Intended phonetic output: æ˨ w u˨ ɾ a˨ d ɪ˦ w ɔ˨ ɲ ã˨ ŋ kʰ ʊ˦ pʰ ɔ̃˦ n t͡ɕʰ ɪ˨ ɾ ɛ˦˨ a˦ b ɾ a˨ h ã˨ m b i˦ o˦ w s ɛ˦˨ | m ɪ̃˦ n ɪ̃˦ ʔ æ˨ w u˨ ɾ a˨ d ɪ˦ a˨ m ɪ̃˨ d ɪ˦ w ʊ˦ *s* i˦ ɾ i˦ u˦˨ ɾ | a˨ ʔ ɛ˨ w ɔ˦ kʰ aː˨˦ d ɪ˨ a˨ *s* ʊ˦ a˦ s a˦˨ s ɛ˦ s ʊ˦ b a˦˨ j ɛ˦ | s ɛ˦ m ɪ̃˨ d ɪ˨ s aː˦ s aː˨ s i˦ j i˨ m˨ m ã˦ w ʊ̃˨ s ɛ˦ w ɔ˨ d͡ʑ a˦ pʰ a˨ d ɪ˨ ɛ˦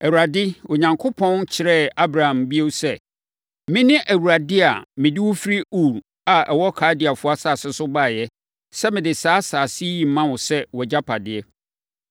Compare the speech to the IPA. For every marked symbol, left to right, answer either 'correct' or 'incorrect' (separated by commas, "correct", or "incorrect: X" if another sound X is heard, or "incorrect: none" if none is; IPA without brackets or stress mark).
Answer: incorrect: f, incorrect: f